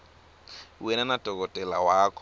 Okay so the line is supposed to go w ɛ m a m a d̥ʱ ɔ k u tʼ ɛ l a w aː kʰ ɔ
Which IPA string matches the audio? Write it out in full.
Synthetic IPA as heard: w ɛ n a n a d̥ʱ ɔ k ɔ tʼ ɛ l a w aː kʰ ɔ